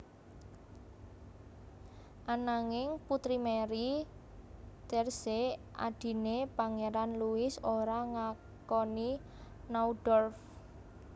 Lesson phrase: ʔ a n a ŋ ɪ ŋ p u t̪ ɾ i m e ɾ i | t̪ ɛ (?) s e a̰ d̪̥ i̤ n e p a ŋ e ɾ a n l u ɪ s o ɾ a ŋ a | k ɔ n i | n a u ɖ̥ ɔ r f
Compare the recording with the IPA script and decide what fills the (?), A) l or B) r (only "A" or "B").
B